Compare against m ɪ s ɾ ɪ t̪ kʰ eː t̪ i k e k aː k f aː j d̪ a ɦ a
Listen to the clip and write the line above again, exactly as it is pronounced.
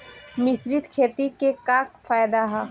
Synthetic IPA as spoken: m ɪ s ɾ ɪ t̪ kʰ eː t̪ i k e k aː k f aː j d̪ a ɦ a